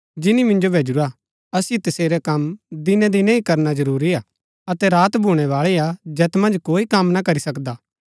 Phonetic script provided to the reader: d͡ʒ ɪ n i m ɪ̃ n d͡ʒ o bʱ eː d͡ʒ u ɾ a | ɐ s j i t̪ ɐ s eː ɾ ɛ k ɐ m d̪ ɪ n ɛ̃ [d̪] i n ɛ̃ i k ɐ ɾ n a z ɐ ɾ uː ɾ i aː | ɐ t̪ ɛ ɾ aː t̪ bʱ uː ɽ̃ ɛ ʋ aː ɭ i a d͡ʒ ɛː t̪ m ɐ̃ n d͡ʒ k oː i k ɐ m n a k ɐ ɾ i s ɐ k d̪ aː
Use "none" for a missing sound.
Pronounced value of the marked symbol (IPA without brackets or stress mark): d̪